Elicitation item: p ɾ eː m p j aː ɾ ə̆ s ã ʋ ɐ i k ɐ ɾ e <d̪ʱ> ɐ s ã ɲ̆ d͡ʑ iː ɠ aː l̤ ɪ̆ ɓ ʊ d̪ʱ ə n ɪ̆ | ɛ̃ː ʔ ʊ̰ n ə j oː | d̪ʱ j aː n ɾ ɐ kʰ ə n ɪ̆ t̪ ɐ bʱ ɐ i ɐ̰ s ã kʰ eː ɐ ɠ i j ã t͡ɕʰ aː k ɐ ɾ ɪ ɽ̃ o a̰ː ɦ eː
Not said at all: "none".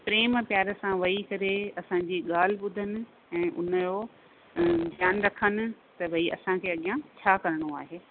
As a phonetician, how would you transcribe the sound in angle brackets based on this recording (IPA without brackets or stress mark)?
none